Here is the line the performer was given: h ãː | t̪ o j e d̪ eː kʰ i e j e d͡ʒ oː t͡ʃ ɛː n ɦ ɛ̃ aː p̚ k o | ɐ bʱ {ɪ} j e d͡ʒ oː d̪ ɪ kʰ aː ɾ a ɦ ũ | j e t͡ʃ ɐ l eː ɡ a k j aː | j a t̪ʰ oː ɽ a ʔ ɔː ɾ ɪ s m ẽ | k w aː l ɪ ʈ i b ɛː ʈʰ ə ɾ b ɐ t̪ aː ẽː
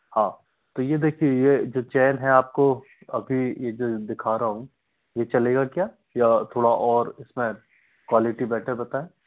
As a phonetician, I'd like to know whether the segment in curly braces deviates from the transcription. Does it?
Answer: yes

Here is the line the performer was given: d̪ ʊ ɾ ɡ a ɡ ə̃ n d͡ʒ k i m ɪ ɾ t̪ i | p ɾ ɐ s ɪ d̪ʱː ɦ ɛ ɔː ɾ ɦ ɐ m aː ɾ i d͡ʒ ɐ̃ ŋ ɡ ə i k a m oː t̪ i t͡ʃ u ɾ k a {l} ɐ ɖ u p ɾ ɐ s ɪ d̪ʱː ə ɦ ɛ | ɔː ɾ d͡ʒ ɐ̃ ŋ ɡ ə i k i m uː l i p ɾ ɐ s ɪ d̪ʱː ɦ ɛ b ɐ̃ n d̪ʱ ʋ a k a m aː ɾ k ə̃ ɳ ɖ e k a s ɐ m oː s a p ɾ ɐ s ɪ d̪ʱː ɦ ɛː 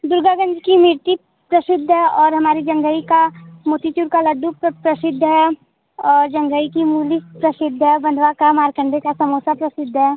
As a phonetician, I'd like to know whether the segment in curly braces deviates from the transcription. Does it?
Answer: no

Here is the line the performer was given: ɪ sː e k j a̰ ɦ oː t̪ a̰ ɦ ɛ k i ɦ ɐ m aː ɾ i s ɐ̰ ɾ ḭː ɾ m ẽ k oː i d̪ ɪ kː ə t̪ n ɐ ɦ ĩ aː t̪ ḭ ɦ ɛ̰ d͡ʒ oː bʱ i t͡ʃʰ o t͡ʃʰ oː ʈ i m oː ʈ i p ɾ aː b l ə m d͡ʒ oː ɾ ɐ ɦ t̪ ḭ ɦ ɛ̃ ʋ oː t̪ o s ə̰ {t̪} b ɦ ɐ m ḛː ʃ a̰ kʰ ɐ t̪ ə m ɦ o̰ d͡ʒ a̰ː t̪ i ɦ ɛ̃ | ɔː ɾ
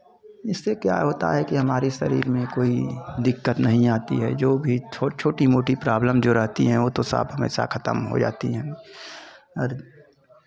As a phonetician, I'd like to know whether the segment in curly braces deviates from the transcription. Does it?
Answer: yes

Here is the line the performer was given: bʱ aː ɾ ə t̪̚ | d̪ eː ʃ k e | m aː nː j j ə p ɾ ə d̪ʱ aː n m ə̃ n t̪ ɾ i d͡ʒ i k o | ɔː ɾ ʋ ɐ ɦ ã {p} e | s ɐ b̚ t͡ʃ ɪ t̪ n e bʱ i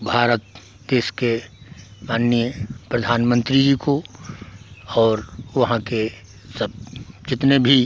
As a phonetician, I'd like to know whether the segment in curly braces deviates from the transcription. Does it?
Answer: yes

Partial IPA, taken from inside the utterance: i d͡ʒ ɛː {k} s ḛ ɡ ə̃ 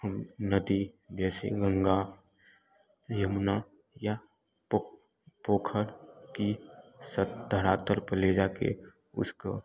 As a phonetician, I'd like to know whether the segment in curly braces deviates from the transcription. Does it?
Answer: yes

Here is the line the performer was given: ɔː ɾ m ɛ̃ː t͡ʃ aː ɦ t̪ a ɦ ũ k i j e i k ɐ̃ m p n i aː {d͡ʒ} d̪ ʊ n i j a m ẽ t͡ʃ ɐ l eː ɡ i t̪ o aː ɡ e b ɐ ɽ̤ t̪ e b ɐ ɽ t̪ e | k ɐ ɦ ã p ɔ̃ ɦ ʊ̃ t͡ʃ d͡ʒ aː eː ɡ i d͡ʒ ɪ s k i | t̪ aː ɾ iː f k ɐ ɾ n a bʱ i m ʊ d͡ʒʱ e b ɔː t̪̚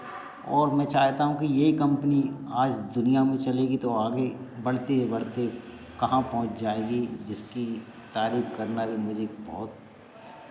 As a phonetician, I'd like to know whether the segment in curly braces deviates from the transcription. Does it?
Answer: no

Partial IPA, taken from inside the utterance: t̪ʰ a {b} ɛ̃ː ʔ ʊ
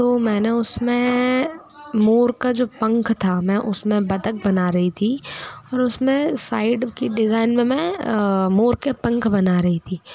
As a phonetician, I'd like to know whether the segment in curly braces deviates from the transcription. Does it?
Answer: yes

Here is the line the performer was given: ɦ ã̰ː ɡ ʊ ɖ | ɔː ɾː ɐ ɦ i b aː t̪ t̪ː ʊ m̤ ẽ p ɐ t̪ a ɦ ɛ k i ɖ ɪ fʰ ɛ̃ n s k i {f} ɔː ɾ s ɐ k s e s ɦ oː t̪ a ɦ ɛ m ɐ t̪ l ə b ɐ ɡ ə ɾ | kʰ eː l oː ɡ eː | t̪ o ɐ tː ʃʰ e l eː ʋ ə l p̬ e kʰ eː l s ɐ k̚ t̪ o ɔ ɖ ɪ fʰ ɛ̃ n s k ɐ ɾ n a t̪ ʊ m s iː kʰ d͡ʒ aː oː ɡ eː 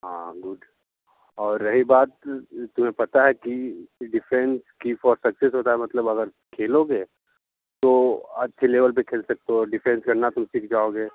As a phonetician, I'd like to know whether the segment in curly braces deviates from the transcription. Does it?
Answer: no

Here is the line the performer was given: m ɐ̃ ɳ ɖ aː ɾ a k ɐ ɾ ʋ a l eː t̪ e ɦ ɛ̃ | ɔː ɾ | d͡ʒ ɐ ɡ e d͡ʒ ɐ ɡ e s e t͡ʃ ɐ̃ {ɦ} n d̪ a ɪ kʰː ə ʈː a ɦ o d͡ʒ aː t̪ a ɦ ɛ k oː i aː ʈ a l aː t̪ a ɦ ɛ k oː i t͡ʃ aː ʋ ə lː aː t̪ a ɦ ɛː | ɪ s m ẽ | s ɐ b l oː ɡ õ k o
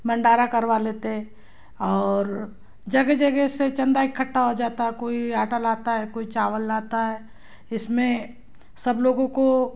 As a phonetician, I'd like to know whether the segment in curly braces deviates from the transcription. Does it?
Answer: yes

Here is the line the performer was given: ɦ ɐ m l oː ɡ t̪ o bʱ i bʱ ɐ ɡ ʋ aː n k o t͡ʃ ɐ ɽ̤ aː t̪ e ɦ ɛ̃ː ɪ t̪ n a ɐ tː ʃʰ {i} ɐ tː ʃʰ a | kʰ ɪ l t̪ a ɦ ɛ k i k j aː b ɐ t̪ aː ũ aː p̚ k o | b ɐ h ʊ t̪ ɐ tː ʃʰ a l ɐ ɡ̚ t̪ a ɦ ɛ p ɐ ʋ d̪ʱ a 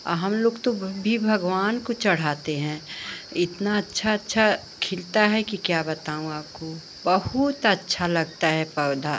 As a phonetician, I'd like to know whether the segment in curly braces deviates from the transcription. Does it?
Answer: yes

